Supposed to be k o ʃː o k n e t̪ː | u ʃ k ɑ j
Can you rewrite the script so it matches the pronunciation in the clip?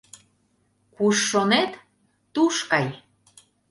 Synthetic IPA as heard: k u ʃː o n e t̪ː | u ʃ k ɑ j